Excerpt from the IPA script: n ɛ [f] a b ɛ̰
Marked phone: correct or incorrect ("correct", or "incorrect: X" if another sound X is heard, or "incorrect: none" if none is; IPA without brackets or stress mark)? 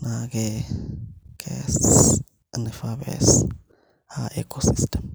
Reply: correct